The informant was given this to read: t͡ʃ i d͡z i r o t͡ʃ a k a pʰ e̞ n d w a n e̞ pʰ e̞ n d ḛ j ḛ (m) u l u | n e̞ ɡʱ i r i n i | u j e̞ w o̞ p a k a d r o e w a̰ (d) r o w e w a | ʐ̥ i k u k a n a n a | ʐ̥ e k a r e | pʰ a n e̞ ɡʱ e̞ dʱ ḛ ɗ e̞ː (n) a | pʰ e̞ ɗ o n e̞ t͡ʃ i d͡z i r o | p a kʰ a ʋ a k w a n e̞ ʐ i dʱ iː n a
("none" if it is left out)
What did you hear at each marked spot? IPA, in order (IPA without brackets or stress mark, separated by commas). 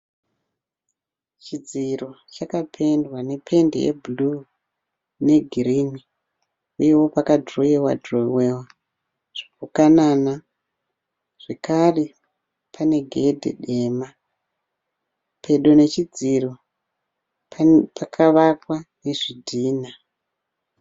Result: b, d, m